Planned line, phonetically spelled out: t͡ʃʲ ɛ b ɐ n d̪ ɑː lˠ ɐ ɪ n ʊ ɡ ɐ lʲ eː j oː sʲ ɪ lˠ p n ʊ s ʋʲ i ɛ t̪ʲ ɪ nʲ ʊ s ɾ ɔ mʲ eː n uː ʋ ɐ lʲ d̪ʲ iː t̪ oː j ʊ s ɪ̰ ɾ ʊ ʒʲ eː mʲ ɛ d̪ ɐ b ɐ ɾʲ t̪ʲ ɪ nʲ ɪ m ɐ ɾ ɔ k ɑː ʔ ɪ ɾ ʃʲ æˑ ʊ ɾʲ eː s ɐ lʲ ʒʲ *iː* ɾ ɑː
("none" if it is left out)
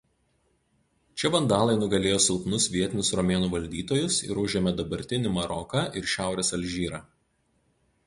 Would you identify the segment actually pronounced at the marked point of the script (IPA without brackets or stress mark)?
iː